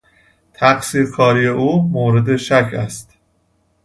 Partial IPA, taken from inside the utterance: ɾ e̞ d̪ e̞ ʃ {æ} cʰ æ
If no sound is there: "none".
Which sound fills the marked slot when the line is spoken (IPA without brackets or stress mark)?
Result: æ